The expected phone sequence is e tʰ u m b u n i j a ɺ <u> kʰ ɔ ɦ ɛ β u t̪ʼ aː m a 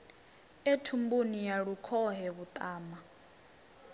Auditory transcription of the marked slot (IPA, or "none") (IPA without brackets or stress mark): u